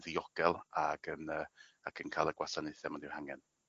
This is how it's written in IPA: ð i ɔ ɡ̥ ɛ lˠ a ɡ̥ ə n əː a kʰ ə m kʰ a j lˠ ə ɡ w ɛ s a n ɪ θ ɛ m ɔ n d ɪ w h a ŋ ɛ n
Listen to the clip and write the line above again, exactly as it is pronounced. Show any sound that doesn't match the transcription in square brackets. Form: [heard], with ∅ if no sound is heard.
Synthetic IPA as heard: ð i ɔ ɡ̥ ɛ lˠ a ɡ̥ ə n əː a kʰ ə [n] kʰ a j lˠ ə ɡ w [a] s a n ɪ θ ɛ m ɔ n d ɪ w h a ŋ ɛ n